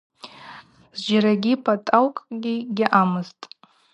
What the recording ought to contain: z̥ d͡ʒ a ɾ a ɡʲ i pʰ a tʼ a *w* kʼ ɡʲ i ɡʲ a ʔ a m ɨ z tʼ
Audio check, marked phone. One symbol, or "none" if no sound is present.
w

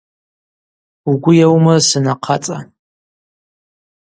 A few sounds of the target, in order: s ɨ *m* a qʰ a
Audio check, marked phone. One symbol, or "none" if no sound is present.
n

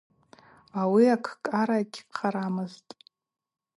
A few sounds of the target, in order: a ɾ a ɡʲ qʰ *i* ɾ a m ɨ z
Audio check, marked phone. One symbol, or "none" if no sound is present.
a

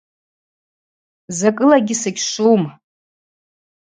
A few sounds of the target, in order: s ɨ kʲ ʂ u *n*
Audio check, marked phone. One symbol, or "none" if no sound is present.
m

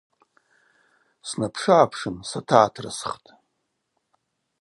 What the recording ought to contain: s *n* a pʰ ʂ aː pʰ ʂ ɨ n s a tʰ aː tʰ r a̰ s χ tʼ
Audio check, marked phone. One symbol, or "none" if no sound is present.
n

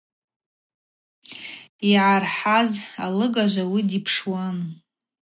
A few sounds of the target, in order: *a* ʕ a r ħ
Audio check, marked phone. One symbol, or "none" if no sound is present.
i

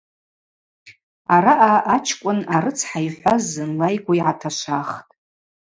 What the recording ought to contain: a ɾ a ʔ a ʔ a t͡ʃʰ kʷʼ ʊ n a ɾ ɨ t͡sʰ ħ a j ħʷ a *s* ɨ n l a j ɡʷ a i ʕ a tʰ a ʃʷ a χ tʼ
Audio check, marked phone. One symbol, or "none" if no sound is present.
z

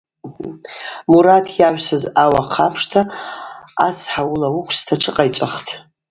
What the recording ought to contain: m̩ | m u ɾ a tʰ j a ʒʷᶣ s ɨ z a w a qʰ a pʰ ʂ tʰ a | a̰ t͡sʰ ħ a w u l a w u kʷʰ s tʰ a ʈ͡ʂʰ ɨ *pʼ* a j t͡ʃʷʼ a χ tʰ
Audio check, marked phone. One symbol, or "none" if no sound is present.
qʼ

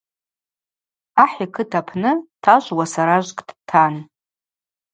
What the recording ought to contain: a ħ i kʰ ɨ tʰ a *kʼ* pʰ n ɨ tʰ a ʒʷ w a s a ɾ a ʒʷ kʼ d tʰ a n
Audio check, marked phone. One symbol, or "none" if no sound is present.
none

